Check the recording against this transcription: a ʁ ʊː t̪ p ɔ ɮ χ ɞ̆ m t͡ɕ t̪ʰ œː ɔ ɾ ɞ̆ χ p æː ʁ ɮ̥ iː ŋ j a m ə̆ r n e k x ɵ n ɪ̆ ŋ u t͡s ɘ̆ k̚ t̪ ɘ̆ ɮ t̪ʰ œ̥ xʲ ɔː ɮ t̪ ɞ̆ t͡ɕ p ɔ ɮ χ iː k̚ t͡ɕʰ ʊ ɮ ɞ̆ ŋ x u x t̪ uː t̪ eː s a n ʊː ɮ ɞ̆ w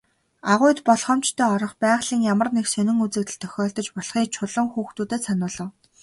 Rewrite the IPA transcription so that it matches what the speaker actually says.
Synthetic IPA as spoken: a ʁ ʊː t̪ p ɔ ɮ χ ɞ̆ m t͡ɕ t̪ʰ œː ɔ ɾ ɞ̆ χ p æː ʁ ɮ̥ iː ŋ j a m ə̆ r n e k s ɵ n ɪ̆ ŋ u t͡s ɘ̆ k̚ t̪ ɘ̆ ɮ t̪ʰ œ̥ xʲ ɔː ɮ t̪ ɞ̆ t͡ɕ p ɔ ɮ χ iː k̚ t͡ɕʰ ʊ ɮ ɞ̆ ŋ x uː x t̪ uː t̪ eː s a n ʊː ɮ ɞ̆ w